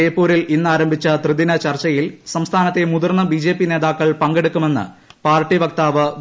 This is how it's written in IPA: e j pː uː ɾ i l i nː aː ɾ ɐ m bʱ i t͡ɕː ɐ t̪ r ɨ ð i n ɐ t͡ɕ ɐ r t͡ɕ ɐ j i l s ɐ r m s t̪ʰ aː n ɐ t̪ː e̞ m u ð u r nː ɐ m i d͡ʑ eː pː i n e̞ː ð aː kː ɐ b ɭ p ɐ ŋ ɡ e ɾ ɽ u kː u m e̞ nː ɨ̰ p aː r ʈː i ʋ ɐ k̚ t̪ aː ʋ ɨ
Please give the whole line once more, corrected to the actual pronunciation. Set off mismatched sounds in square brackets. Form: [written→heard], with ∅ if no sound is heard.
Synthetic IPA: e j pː uː ɾ i l i nː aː ɾ ɐ m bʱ i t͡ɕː ɐ t̪ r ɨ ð i n ɐ t͡ɕ ɐ r t͡ɕ ɐ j i l s ɐ [r→∅] m s t̪ʰ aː n ɐ t̪ː e̞ m u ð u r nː ɐ [m→b] i d͡ʑ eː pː i n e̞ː ð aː kː ɐ [b→∅] ɭ p ɐ ŋ ɡ e [ɾ→∅] ɽ u kː u m e̞ nː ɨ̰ p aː r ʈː i ʋ ɐ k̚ t̪ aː ʋ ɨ

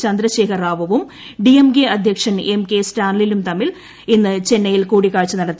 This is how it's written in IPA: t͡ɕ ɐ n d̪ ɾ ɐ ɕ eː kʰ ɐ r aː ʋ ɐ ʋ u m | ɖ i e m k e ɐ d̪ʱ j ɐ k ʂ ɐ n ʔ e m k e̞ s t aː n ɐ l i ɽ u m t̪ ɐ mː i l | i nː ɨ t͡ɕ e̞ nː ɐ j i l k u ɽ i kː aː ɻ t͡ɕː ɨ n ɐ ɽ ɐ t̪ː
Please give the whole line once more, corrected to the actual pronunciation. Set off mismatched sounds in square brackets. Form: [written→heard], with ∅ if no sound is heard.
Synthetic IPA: t͡ɕ ɐ n d̪ ɾ ɐ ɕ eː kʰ ɐ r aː ʋ ɐ ʋ u m | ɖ i e m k e ɐ d̪ʱ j ɐ k ʂ ɐ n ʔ e m k e̞ s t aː n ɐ l i [ɽ→l] u m t̪ ɐ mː i l | i nː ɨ t͡ɕ e̞ nː ɐ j i l k [u→uː] ɽ i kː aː ɻ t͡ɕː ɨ n ɐ ɽ ɐ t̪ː

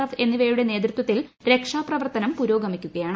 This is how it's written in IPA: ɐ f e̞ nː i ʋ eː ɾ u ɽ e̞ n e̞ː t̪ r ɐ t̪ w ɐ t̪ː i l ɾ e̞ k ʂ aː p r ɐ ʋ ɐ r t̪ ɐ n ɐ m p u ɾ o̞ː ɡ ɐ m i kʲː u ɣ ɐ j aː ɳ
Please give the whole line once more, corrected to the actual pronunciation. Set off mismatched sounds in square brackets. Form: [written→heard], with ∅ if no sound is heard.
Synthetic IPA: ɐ f e̞ nː i ʋ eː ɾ u ɽ e̞ n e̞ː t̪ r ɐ t̪ w ɐ t̪ː i l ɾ e̞ k ʂ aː p r ɐ ʋ ɐ r t̪ ɐ n ɐ m p u ɾ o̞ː ɡ ɐ m i kʲː u ɣ ɐ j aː ɳ

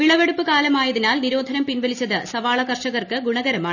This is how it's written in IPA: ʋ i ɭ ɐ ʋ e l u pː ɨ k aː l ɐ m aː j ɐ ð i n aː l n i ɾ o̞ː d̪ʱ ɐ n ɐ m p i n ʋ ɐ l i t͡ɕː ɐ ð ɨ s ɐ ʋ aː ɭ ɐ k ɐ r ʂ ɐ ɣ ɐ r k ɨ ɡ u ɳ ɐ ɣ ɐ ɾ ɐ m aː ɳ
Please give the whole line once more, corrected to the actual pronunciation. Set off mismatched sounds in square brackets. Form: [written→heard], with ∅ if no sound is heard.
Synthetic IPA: ʋ i ɭ ɐ ʋ e [l→ɽ] u pː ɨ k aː l ɐ m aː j ɐ ð i n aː l n i ɾ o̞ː d̪ʱ ɐ n ɐ m p i n ʋ ɐ l i t͡ɕː ɐ ð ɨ s ɐ ʋ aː ɭ ɐ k ɐ r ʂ ɐ ɣ ɐ r k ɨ ɡ u ɳ ɐ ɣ ɐ ɾ ɐ m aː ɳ

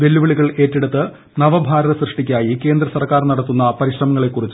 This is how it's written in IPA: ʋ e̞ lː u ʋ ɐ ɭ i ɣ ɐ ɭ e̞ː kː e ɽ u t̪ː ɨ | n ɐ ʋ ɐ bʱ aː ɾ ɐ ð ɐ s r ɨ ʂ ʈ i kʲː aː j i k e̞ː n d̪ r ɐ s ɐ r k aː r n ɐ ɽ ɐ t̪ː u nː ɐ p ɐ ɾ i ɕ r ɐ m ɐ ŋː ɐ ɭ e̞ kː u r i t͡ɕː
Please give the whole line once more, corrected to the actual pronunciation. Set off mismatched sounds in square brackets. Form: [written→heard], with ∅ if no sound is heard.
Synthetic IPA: ʋ e̞ lː u ʋ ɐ ɭ i ɣ ɐ ɭ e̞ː [kː→tː] e ɽ u t̪ː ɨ | n ɐ ʋ ɐ bʱ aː ɾ ɐ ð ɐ s r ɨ ʂ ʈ i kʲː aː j i k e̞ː n d̪ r ɐ s ɐ r k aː r n ɐ ɽ ɐ t̪ː u nː ɐ p ɐ ɾ i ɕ r ɐ m ɐ ŋː ɐ ɭ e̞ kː u r i t͡ɕː

